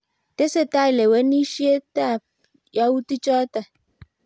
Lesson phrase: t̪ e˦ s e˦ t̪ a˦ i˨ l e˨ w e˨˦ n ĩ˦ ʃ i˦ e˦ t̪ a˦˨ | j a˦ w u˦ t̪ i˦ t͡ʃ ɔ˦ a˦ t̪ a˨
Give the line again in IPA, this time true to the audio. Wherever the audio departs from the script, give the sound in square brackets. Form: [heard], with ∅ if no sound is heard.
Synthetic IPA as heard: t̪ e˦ s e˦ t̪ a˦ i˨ l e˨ w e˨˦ n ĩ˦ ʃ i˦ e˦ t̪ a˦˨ | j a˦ w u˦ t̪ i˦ t͡ʃ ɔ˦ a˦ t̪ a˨